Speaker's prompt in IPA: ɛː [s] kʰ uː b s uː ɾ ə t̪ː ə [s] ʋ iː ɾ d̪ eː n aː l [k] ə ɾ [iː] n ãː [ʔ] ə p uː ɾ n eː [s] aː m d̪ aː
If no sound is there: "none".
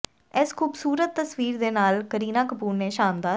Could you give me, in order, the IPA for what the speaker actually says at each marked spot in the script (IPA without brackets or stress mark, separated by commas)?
s, s, k, iː, k, ʃ